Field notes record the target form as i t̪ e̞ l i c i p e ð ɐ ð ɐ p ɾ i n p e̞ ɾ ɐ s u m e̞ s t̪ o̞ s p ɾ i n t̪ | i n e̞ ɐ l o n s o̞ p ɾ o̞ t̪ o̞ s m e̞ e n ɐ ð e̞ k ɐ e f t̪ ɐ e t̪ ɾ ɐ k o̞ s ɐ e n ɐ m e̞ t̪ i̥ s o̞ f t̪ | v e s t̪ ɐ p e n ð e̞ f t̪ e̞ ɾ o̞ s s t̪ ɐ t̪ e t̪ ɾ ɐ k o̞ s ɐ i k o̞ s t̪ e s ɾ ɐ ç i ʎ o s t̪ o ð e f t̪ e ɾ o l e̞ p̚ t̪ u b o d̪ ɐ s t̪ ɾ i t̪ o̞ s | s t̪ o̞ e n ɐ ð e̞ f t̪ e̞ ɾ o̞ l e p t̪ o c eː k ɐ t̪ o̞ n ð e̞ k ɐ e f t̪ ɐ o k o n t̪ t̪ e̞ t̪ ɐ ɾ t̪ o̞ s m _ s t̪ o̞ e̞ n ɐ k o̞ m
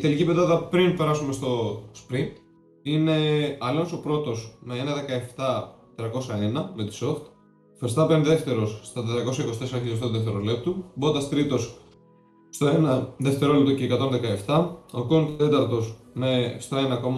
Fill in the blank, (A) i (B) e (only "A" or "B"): B